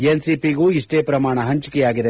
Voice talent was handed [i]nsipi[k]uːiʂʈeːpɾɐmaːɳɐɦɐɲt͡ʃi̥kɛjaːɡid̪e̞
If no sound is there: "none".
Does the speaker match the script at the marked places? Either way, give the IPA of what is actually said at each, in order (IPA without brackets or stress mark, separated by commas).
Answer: e, ɡ